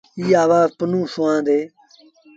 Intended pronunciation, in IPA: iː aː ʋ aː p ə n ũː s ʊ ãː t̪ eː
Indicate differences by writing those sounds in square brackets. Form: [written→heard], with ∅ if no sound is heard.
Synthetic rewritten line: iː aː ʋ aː p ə n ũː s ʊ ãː [t̪→d̪] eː